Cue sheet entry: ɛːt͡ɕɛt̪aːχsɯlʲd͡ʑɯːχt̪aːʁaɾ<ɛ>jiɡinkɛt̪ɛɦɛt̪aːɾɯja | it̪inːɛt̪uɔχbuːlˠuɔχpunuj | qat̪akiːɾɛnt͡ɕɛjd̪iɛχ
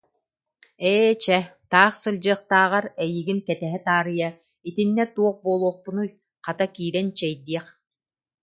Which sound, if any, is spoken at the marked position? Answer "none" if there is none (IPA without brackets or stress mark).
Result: ɛ